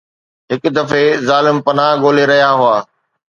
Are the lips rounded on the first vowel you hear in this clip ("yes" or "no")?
no